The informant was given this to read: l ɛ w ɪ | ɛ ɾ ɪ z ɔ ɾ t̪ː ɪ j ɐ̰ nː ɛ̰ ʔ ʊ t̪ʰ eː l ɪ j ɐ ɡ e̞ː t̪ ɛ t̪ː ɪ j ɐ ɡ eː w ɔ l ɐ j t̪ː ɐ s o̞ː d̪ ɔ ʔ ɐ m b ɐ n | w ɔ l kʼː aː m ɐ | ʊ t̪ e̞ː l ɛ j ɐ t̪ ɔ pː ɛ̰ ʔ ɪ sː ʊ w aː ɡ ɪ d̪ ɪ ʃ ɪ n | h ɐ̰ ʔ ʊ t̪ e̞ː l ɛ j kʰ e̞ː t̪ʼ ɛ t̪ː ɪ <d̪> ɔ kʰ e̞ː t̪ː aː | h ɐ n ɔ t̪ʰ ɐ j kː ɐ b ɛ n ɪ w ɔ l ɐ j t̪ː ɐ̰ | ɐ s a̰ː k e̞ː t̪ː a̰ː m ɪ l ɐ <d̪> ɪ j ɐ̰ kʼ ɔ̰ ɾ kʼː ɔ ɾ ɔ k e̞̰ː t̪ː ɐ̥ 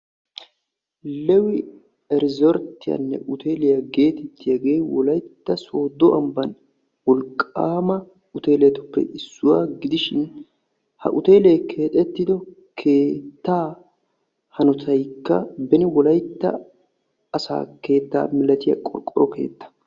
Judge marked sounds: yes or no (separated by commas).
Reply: yes, no